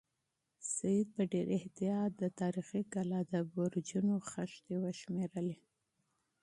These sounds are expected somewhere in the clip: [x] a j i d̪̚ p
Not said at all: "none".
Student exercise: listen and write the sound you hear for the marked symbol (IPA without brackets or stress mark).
s